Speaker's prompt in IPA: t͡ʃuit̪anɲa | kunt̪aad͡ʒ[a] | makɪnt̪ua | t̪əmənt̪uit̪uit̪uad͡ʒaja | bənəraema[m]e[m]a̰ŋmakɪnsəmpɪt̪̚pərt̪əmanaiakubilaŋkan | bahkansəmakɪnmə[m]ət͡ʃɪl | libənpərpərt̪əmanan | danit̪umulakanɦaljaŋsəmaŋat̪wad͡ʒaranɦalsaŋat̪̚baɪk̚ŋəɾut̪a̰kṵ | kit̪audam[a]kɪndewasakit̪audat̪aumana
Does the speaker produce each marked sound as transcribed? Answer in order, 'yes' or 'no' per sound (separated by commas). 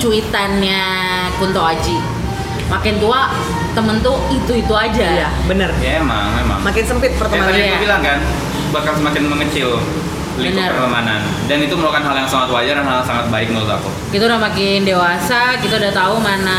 no, no, yes, no, yes